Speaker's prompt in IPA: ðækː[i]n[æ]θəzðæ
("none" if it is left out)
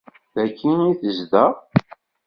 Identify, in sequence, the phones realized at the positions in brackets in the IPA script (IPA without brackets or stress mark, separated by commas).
i, i